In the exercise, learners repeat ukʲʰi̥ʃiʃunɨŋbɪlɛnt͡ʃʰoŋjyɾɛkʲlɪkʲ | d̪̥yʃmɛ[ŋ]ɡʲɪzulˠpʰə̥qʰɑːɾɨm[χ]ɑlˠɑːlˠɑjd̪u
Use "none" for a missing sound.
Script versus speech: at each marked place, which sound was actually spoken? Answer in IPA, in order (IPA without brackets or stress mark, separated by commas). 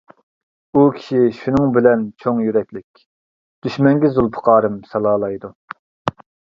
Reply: ŋ, s